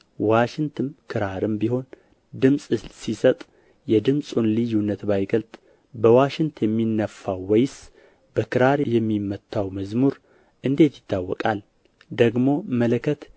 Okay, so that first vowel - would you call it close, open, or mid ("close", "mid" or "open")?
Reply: open